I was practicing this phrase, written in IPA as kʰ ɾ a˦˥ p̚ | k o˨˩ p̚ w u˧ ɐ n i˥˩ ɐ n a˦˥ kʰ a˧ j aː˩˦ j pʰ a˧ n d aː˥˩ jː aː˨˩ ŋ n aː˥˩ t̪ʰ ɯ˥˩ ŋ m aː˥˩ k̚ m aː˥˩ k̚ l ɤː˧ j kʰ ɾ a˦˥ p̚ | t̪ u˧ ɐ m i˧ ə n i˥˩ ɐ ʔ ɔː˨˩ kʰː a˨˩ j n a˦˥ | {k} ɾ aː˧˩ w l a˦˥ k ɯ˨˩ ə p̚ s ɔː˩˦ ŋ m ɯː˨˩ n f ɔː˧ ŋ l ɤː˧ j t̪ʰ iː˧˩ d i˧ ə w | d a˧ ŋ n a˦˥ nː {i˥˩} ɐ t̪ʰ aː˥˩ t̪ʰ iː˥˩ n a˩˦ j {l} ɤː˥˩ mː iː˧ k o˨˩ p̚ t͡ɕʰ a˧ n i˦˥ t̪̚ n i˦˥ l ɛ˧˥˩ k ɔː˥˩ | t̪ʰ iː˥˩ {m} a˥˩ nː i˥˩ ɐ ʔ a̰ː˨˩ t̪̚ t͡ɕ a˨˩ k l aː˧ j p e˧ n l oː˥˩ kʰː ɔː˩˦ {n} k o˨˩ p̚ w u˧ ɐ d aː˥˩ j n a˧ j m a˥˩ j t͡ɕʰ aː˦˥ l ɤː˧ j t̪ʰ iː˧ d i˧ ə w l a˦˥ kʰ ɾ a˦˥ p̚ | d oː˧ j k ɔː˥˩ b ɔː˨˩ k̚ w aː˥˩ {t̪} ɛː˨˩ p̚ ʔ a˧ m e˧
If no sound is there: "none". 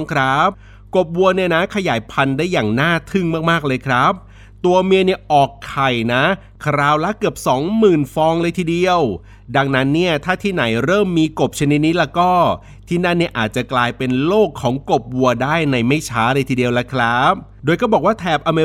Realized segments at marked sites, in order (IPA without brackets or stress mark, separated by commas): kʰ, i˥˩, ɾ, n, ŋ, t̪ʰ